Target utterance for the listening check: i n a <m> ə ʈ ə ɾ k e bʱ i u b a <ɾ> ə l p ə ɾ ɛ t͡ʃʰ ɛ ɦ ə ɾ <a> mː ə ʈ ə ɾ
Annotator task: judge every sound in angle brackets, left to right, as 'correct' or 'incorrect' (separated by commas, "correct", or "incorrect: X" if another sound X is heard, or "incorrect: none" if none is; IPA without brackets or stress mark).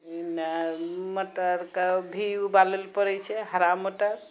correct, incorrect: l, correct